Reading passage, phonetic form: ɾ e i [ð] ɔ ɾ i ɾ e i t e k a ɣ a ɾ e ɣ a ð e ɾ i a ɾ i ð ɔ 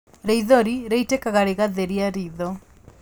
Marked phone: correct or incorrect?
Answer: correct